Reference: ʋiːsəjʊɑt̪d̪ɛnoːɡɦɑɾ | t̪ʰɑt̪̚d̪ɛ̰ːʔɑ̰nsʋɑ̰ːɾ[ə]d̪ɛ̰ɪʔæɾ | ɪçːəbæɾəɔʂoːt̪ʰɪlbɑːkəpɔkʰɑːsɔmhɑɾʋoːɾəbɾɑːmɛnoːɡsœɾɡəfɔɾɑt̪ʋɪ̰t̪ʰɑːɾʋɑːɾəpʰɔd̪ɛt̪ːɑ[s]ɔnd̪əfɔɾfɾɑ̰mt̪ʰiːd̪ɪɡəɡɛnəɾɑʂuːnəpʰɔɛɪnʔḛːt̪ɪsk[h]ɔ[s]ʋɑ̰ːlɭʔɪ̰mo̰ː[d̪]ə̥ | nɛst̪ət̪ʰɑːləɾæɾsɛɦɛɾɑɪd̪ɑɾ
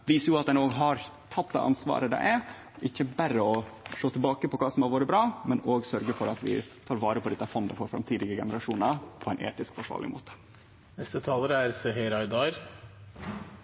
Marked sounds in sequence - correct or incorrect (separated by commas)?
correct, incorrect, incorrect, incorrect, incorrect